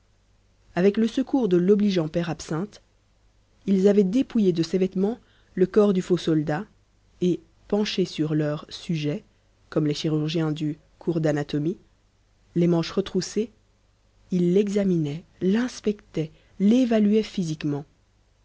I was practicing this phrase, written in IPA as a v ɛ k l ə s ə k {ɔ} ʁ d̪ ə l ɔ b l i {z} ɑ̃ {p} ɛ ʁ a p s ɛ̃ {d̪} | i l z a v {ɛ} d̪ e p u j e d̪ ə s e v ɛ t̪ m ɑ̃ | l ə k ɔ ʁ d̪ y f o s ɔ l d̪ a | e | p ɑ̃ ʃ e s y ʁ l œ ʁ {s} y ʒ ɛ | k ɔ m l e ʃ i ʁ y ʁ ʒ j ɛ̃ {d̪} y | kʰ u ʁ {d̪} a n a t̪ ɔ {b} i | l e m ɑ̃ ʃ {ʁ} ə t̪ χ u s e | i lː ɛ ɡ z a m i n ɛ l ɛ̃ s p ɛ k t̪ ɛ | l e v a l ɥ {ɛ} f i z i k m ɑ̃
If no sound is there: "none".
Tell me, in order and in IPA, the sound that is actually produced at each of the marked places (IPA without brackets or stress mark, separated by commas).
u, ʒ, p, t̪, ɛ, s, d̪, d̪, m, ʁ, ɛ